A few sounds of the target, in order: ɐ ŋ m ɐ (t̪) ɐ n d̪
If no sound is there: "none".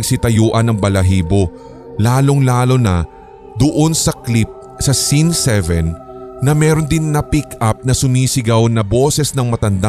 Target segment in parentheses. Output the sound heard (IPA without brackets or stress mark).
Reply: t̪